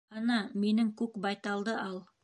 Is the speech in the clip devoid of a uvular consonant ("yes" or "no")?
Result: yes